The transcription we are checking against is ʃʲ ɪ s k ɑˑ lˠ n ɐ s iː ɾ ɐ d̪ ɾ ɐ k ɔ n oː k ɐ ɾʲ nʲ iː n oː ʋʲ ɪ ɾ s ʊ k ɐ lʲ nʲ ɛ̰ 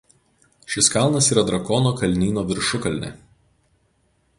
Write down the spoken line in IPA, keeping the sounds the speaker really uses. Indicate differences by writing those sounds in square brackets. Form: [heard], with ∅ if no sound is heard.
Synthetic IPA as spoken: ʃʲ ɪ s k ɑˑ lˠ n ɐ s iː ɾ ɐ d̪ ɾ ɐ k ɔ n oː k ɐ [lʲ] nʲ iː n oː ʋʲ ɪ ɾ [ʃ] ʊ k ɐ lʲ nʲ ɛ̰